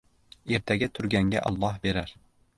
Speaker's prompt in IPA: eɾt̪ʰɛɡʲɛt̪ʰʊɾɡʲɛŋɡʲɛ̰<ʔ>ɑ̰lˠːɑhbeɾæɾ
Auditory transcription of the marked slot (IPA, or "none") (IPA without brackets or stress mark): ʔ